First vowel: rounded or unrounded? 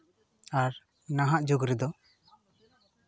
unrounded